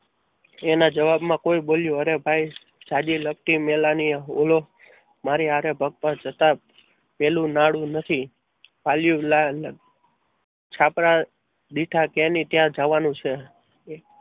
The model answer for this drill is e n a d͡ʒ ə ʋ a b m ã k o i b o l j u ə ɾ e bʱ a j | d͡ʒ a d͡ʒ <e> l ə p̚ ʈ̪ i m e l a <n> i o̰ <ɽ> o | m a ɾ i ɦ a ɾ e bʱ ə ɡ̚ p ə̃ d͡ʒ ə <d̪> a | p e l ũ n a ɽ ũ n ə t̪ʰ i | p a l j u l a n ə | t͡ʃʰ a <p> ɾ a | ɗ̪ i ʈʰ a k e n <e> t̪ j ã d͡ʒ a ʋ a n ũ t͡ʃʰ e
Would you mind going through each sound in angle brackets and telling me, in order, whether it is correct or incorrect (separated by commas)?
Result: incorrect, correct, incorrect, incorrect, correct, incorrect